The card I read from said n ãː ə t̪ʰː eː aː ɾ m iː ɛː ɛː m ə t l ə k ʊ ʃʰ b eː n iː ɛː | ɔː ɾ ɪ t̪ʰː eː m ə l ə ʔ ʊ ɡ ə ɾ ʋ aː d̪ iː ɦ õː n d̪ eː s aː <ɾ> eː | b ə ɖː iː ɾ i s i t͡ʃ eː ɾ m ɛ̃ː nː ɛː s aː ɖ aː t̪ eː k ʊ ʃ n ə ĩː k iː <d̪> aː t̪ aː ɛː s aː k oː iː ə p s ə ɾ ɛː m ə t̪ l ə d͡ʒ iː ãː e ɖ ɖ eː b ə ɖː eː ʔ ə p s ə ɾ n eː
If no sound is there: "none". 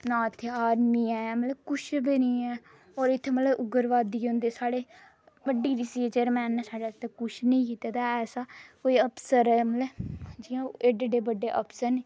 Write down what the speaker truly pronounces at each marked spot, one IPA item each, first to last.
ɽ, t̪

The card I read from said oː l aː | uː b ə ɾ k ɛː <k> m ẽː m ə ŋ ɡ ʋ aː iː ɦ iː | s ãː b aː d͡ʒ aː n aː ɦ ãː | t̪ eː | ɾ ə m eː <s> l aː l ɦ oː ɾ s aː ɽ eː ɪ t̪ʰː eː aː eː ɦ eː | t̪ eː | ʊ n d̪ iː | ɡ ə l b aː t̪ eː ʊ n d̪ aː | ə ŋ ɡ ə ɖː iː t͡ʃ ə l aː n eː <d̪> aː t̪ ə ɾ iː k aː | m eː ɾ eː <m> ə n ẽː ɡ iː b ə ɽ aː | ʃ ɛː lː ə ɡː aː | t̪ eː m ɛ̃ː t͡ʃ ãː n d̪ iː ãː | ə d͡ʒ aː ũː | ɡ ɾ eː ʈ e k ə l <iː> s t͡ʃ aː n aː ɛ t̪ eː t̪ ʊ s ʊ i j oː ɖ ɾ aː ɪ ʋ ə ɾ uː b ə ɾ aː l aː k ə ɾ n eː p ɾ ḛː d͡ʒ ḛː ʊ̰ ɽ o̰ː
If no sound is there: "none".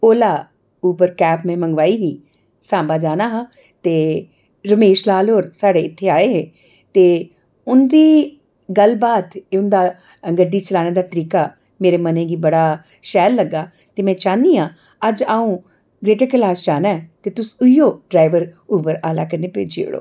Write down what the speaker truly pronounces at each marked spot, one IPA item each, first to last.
p, ʃ, d̪, m, aː

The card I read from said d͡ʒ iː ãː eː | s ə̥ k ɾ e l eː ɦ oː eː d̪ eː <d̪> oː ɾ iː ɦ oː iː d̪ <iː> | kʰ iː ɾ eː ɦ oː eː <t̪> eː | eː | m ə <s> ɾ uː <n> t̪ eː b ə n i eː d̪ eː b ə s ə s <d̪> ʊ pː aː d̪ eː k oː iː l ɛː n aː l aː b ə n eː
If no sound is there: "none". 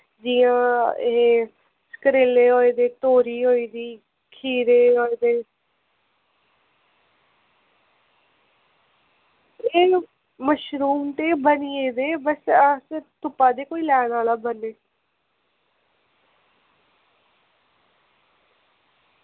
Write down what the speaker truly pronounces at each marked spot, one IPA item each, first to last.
t̪, iː, d̪, ʃ, m, t̪

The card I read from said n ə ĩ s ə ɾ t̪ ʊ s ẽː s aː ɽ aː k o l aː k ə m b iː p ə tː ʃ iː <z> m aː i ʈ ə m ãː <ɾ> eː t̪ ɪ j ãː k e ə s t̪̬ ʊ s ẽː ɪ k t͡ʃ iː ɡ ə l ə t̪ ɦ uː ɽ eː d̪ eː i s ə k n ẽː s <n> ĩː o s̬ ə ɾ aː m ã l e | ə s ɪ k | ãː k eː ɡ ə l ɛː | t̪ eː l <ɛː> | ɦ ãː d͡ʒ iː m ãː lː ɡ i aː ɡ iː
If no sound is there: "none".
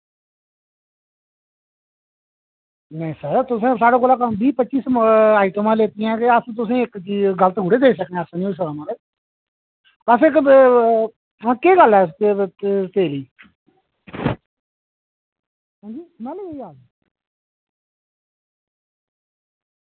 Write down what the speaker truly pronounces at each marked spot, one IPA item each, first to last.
s, l, n, iː

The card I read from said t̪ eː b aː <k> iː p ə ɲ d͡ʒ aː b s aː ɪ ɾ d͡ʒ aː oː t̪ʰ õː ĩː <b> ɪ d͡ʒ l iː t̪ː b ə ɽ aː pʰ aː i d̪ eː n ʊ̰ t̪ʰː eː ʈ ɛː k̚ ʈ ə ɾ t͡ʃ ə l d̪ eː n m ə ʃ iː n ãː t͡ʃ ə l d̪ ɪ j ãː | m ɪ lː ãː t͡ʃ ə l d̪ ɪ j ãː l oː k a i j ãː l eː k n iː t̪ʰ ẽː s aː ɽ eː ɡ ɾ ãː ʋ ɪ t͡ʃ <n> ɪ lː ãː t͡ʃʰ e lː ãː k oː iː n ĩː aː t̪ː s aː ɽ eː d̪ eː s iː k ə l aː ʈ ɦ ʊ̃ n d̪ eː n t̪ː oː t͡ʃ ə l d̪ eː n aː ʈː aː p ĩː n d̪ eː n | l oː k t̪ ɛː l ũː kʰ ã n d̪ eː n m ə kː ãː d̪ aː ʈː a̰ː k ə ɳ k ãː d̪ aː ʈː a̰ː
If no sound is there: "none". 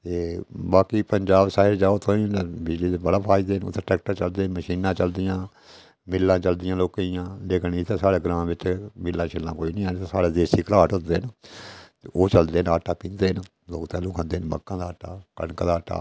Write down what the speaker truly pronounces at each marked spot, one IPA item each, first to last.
k, b, m

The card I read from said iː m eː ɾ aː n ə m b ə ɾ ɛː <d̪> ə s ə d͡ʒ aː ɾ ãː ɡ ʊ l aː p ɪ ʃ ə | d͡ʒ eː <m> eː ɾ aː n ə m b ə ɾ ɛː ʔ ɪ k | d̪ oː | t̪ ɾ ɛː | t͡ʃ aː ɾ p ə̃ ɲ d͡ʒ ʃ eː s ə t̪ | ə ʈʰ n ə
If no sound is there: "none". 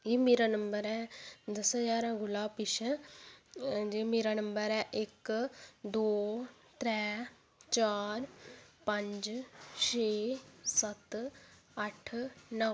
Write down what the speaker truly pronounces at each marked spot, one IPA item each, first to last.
d̪, m

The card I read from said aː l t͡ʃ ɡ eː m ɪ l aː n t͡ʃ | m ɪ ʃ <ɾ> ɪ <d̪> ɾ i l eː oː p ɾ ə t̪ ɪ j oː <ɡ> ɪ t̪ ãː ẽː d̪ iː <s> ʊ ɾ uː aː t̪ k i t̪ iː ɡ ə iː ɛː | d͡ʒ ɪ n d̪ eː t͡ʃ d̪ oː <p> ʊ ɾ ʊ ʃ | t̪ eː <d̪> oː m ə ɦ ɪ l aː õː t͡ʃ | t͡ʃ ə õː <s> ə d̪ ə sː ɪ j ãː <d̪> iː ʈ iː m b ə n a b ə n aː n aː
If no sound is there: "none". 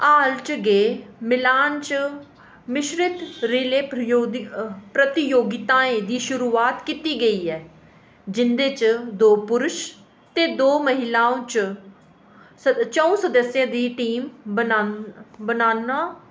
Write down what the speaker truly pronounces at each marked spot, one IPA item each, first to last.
ɾ, t̪, ɡ, ʃ, p, d̪, s, d̪

